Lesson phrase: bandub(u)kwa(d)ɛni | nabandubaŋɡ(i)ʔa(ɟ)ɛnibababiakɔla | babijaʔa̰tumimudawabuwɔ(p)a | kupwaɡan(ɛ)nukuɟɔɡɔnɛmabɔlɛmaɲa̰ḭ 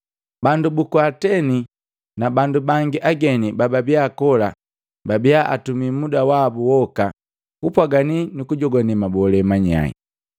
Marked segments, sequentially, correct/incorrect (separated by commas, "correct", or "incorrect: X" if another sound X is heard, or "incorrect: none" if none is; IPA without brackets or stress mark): correct, incorrect: t, correct, incorrect: ɡ, incorrect: k, incorrect: i